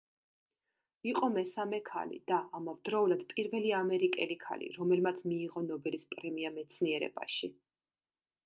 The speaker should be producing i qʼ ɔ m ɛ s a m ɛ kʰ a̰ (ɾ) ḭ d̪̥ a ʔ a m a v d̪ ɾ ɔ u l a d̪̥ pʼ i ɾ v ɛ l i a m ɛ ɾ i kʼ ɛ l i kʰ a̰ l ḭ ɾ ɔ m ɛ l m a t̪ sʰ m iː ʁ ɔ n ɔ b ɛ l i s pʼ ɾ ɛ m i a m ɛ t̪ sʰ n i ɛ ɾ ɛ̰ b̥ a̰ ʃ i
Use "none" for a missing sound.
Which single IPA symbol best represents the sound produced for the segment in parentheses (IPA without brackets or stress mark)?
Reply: l